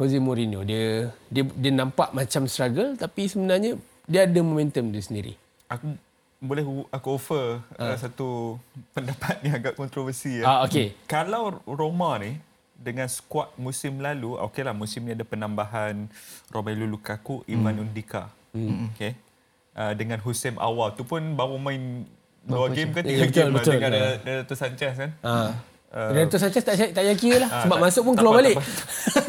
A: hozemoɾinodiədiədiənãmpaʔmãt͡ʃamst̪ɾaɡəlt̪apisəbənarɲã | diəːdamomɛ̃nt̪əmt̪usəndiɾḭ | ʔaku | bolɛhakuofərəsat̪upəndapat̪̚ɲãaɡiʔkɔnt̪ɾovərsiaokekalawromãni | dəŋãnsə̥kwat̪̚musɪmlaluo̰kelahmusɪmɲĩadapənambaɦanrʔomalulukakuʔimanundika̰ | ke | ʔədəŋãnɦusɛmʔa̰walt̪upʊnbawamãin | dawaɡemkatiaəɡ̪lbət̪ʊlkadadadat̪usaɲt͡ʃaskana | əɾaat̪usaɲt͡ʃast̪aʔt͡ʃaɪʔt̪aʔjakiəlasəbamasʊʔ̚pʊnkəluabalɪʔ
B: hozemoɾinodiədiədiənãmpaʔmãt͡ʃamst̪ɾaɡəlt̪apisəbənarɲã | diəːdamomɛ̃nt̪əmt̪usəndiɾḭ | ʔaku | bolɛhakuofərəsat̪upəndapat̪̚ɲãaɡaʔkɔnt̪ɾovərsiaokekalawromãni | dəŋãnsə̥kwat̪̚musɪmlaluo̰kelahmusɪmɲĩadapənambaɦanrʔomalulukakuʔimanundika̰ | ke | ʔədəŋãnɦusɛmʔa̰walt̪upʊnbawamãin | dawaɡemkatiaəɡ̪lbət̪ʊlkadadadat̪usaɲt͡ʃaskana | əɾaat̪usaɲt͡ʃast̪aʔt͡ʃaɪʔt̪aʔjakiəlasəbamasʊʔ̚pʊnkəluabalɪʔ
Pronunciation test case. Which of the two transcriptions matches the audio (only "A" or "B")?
B